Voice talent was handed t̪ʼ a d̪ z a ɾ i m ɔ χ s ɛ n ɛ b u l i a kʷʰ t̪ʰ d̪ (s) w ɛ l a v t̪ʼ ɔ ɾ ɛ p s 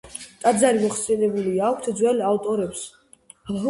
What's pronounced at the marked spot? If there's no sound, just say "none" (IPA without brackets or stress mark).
z